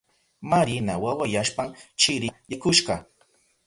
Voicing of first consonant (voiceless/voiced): voiced